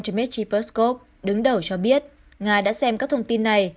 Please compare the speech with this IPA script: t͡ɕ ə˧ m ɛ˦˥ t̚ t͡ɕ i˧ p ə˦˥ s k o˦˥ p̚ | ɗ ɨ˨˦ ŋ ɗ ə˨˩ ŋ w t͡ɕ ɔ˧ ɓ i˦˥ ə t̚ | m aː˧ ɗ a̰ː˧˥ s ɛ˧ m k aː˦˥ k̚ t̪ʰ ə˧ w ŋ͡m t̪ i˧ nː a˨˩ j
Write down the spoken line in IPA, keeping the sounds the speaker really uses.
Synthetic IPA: t͡ɕ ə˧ m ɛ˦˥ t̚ t͡ɕ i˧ p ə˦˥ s k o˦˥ p̚ | ɗ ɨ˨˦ ŋ ɗ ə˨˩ w t͡ɕ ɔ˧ ɓ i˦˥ ə t̚ | ŋ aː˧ ɗ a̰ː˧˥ s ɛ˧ m k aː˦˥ k̚ t̪ʰ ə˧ w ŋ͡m t̪ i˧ nː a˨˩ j

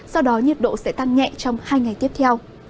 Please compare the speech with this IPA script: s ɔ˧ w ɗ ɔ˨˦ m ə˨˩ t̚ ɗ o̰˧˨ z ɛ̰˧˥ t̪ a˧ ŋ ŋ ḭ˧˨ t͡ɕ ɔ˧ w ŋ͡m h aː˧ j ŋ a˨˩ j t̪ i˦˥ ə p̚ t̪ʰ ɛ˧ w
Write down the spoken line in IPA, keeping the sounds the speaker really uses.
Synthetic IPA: s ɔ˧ w ɗ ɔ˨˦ ɲ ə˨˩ t̚ ɗ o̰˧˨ s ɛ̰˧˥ t̪ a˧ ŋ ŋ ɛ̰˧˨ t͡ɕ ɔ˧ w ŋ͡m h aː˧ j ŋ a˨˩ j t̪ i˦˥ ə p̚ t̪ʰ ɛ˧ w

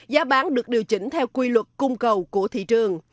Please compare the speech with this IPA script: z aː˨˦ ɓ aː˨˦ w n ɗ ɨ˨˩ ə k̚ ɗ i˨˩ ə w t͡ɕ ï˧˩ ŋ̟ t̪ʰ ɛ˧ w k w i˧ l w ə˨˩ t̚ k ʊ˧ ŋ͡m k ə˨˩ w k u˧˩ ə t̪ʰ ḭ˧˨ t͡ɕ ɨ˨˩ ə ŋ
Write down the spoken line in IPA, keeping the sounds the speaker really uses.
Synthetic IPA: z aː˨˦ ɓ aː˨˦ n ɗ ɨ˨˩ ə k̚ ɗ i˨˩ ə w t͡ɕ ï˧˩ ŋ̟ t̪ʰ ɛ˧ w k w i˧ l w ə˨˩ t̚ k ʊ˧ ŋ͡m k ə˨˩ w k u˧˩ ə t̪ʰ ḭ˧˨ t͡ɕ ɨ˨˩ ə ŋ

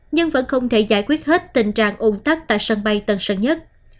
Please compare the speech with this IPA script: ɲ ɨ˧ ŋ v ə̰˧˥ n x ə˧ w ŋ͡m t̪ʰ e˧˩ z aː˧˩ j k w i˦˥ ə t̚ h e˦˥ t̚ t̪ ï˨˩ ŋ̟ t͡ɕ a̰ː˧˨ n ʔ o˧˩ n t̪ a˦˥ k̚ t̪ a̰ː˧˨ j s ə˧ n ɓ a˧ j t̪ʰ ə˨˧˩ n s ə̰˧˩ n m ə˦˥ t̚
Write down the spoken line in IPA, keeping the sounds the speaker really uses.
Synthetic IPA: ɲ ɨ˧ ŋ v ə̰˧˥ n x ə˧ w ŋ͡m t̪ʰ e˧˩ z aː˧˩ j k w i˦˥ ə t̚ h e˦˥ t̚ t̪ ï˨˩ ŋ̟ t͡ɕ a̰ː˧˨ ŋ ʔ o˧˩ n t̪ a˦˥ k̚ t̪ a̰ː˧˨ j s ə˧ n ɓ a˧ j t̪ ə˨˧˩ n s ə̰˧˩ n ɲ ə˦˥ t̚

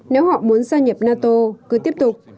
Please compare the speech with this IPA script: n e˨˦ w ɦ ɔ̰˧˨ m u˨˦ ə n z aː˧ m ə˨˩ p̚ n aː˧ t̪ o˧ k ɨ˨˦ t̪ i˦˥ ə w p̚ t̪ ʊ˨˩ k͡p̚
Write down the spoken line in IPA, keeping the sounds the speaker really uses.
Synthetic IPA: n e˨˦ w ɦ ɔ̰˧˨ m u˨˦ ə n z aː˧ ɲ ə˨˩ p̚ n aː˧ t̪ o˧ k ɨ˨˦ t̪ i˦˥ ə p̚ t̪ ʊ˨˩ k͡p̚

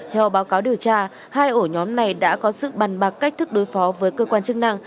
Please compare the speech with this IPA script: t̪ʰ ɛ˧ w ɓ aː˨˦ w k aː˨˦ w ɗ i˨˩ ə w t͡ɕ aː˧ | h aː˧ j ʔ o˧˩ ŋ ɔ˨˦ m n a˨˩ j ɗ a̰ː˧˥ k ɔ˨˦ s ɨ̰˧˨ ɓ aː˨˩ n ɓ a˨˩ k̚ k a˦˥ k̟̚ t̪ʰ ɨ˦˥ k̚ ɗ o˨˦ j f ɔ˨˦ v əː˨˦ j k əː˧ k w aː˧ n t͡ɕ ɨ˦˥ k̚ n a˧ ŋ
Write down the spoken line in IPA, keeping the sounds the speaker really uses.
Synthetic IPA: t̪ʰ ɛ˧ w ɓ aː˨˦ w k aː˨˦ w ɗ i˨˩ ə w t͡ɕ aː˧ | h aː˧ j ʔ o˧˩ ɲ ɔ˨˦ m n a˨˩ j ɗ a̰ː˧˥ k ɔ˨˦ s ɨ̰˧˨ ɓ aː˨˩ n ɓ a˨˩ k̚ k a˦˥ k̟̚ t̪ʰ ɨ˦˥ k̚ ɗ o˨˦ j f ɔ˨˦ v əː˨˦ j k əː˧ k w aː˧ n t͡ɕ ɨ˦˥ k̚ n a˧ ŋ

